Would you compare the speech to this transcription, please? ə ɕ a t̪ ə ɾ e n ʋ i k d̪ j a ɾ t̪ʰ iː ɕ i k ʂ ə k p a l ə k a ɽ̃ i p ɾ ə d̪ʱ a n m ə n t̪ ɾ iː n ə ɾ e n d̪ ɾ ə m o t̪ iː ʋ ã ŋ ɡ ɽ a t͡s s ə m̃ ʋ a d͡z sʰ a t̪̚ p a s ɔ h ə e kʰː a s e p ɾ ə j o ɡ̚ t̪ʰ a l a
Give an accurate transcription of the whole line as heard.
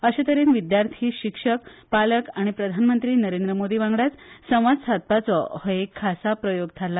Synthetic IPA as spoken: ə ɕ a t̪ ə ɾ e n ʋ i d̪ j a ɾ t̪ʰ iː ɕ i k ʂ ə k p a l ə k a ɽ̃ i p ɾ ə d̪ʱ a n m ə n t̪ ɾ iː n ə ɾ e n d̪ ɾ ə m o d̪ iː ʋ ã ŋ ɡ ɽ a t͡s s ə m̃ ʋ a d͡z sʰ a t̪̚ p a t͡s ɔ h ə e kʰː a s a p ɾ ə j o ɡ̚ t̪ʰ a l a